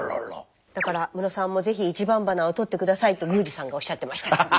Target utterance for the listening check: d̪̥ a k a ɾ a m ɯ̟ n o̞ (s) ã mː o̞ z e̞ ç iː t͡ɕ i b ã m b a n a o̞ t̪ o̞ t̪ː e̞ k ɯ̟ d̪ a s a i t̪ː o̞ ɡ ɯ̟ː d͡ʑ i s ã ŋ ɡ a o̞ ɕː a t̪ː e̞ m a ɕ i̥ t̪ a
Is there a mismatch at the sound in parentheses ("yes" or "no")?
no